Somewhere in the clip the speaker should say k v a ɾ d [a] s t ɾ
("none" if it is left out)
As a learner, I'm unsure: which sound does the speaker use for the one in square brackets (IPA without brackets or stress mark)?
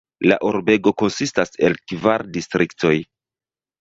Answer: i